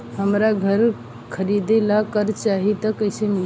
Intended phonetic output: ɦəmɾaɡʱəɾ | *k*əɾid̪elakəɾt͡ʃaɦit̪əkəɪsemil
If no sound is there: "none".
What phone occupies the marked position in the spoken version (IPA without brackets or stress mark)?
kʰ